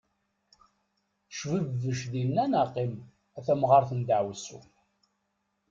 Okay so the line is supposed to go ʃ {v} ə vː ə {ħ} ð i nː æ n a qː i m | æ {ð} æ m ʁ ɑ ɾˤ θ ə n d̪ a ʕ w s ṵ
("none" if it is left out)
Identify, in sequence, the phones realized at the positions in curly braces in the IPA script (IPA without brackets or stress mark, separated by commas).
v, ʃ, θ